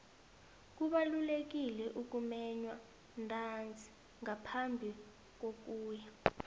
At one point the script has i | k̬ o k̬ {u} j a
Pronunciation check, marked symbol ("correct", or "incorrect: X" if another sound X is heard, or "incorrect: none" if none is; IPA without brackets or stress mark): incorrect: uː